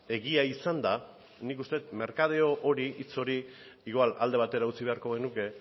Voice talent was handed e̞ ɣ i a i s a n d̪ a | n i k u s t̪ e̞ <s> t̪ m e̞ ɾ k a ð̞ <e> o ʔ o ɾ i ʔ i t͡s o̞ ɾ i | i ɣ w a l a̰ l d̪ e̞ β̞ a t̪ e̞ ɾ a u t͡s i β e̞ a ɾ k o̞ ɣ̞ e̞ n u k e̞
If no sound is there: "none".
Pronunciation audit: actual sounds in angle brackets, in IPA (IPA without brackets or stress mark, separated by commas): none, e